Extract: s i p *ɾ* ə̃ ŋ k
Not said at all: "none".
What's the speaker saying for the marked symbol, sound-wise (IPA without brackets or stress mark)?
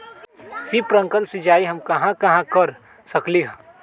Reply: ɾ